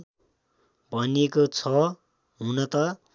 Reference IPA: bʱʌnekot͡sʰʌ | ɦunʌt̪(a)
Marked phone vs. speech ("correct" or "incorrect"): incorrect